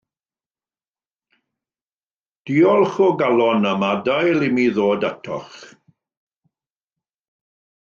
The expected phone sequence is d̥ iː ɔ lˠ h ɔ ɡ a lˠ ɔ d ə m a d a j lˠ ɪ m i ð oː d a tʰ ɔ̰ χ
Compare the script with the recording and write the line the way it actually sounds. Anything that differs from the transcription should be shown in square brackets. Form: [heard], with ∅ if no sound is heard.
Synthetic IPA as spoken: d̥ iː ɔ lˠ [χ] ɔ ɡ a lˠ ɔ [n] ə m a d a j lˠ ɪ m i ð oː d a tʰ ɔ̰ χ